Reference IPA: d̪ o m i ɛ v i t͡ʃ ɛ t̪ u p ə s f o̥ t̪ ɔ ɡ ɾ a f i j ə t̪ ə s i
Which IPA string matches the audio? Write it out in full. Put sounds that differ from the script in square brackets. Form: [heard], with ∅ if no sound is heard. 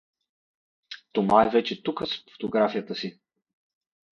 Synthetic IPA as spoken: [t̪] o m [a] ɛ v [ɛ] t͡ʃ ɛ t̪ u [k] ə s f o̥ t̪ [o] ɡ ɾ a f i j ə t̪ ə s i

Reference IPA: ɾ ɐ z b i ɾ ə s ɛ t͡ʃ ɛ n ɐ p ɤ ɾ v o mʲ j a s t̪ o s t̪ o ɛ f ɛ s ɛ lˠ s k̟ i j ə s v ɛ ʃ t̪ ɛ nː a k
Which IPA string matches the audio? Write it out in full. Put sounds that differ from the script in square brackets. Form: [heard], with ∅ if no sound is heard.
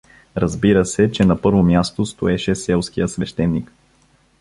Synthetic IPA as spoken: ɾ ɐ z b i ɾ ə s ɛ t͡ʃ ɛ n ɐ p ɤ ɾ v o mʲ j a s t̪ o s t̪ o ɛ [ʃ] ɛ s ɛ lˠ s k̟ i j ə s v ɛ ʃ t̪ ɛ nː [i] k

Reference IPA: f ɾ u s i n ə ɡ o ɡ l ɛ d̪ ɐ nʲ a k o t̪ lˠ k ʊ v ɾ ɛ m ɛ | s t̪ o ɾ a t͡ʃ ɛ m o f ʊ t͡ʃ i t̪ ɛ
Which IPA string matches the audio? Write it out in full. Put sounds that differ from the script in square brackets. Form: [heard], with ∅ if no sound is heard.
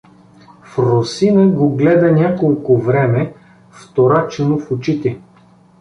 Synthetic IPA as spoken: f ɾ [o] s i n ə ɡ o ɡ l ɛ d̪ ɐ nʲ a k o [∅] lˠ k ʊ v ɾ ɛ m ɛ | [f] t̪ o ɾ a t͡ʃ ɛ [n] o f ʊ t͡ʃ i t̪ ɛ

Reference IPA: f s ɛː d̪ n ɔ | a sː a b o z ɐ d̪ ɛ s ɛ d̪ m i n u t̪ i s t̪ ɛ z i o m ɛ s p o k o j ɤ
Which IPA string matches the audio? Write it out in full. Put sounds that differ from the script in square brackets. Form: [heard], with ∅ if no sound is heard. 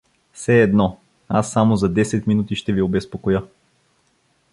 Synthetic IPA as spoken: f s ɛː d̪ n ɔ | a sː a [m] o z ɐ d̪ ɛ s ɛ [t̪] m i n u t̪ i [ʃ] t̪ ɛ [v] i o [b] ɛ s p o k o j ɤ

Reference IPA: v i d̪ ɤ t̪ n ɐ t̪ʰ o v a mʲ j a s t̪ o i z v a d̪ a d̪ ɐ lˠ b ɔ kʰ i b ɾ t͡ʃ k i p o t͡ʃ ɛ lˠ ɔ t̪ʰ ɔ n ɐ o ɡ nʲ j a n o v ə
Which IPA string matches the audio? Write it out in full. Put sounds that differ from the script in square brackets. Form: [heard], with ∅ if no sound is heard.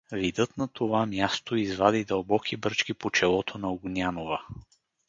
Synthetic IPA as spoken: v i d̪ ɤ t̪ n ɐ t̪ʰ o v a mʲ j a s t̪ o i z v a d̪ [i] d̪ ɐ lˠ b ɔ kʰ i b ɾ t͡ʃ k i p o t͡ʃ ɛ lˠ ɔ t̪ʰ [o] n ɐ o ɡ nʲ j a n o v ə

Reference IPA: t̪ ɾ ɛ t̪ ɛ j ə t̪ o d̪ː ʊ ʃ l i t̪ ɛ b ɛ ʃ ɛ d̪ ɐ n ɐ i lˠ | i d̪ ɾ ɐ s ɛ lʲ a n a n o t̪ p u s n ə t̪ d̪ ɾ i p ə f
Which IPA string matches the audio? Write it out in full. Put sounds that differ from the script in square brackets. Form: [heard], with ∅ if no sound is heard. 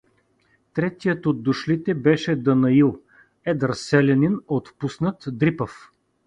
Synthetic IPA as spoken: t̪ ɾ ɛ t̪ [i] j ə t̪ o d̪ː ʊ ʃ l i t̪ ɛ b ɛ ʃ ɛ d̪ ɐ n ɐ i lˠ | [ɛ] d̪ ɾ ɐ s ɛ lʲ [ɛ] n [i] n o t̪ p u s n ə t̪ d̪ ɾ i p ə f

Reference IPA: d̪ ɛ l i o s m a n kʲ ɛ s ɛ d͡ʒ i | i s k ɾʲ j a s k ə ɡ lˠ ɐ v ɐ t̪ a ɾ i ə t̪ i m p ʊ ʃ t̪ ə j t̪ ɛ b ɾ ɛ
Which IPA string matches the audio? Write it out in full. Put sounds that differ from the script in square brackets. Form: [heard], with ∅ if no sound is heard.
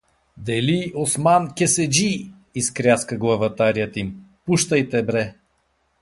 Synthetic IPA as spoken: d̪ ɛ l i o s m a n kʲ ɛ s ɛ d͡ʒ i | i s k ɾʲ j a s k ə ɡ lˠ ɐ v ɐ t̪ a ɾ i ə t̪ i m p [u] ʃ t̪ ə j t̪ ɛ b ɾ ɛ

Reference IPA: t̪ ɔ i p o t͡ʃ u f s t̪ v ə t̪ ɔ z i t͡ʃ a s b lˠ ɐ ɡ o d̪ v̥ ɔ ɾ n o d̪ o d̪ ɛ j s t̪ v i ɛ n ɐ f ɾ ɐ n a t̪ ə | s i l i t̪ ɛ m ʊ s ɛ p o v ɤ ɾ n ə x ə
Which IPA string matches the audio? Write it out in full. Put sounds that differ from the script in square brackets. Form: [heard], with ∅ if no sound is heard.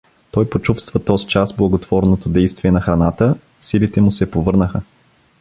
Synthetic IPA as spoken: t̪ ɔ [j] p o t͡ʃ u f s t̪ v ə t̪ ɔ z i t͡ʃ a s b lˠ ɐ ɡ o [t̪] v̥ ɔ ɾ n o [t̪] o d̪ ɛ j s t̪ v i ɛ n ɐ [x] ɾ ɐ n a t̪ ə | s i l i t̪ ɛ m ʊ s ɛ p o v ɤ ɾ n ə x ə

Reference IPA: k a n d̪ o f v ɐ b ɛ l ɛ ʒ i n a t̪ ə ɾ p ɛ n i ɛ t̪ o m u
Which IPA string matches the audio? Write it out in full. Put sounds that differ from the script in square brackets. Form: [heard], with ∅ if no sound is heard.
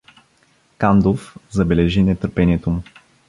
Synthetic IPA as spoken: k a n d̪ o f [z] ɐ b ɛ l ɛ ʒ i n [ɛ] t̪ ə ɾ p ɛ n i ɛ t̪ o m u

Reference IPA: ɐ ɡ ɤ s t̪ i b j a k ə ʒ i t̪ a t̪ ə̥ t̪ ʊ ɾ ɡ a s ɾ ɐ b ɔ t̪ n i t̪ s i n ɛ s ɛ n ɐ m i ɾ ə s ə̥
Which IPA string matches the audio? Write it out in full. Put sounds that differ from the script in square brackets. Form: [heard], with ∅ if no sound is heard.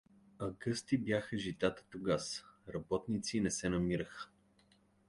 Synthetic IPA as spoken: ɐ ɡ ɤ s t̪ i b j a [x] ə ʒ i t̪ a t̪ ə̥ t̪ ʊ [∅] ɡ a s ɾ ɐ b ɔ t̪ n i t̪ s i n ɛ s ɛ n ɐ m i ɾ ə [x] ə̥

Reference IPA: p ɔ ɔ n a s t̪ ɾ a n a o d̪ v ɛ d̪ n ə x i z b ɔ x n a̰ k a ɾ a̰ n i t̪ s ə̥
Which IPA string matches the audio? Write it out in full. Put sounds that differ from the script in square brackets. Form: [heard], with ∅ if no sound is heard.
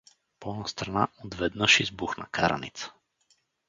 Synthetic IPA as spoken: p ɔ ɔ n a s t̪ ɾ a n a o d̪ v ɛ d̪ n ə [ʃ] i z b [u] x n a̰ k a ɾ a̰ n i t̪ s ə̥

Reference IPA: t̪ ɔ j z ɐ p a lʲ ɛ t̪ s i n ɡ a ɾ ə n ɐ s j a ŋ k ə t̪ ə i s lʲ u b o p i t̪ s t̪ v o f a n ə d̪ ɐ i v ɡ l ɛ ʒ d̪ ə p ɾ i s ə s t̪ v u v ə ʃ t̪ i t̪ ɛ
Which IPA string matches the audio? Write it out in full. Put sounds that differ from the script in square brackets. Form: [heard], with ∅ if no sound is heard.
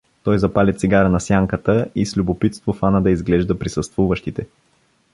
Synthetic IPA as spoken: t̪ ɔ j z ɐ p a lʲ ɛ t̪ s i [∅] ɡ a ɾ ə n ɐ s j a ŋ k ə t̪ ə i s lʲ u b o p i t̪ s t̪ v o f a n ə d̪ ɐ i [z] ɡ l ɛ ʒ d̪ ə p ɾ i s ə s t̪ v u v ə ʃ t̪ i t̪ ɛ

